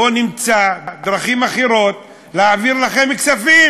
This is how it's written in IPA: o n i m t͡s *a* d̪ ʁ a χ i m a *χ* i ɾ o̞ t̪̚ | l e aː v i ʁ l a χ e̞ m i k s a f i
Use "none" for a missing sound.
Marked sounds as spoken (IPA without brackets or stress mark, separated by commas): a, χ